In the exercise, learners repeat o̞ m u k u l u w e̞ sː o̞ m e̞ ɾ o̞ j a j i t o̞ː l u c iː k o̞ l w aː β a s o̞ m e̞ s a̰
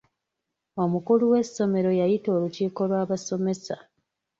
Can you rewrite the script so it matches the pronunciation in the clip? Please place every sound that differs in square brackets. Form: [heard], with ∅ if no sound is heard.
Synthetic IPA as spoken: o̞ m u k u l u w e̞ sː o̞ m e̞ ɾ o̞ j a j i t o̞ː l u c iː k o̞ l w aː β a s o̞ m e̞ s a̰